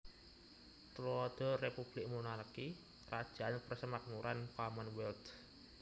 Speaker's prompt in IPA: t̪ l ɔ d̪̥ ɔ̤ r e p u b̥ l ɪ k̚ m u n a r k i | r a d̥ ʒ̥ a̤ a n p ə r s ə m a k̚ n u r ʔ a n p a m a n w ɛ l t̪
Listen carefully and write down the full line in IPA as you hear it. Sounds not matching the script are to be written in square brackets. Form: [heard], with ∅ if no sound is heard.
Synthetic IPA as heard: t̪ l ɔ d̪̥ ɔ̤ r e p u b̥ l ɪ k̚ m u n a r k i | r a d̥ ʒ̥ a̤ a n p ə r s ə m a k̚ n u [ɾ] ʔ a n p a m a n w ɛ l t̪